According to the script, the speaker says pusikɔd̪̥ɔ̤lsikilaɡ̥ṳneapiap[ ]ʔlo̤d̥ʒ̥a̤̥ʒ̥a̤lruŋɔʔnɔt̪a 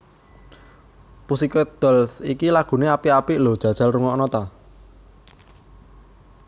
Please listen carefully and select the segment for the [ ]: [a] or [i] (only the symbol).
i